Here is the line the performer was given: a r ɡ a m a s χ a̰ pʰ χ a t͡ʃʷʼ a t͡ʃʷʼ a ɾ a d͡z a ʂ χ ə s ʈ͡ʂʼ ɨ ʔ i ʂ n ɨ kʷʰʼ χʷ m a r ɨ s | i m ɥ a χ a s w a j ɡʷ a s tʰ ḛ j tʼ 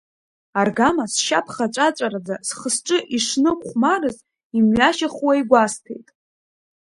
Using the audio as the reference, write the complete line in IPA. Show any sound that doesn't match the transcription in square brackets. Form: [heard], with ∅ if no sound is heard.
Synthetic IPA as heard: a r ɡ a m a s [ʃ] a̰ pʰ χ a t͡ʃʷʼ a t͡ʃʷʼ a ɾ a d͡z a [s] χ ə s ʈ͡ʂʼ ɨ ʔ i ʂ n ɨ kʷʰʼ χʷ m a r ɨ [z] | i m ɥ a [ʃ] a [χ] w a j ɡʷ a s tʰ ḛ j tʼ